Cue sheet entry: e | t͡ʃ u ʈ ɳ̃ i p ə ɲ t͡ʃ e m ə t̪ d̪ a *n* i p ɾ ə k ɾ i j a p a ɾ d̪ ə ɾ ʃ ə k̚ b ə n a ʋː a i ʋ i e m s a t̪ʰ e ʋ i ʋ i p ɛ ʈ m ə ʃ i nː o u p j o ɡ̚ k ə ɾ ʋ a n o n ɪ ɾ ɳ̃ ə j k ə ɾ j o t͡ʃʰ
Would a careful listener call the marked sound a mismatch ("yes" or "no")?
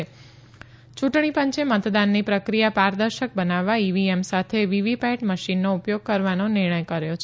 yes